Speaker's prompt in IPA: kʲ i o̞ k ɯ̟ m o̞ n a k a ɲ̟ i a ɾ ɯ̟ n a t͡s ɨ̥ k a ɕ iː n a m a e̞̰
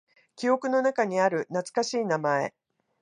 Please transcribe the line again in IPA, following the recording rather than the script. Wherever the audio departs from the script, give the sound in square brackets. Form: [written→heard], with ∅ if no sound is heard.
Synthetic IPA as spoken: kʲ i o̞ k ɯ̟ [m→n] o̞ n a k a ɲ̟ i a ɾ ɯ̟ n a t͡s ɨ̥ k a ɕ iː n a m a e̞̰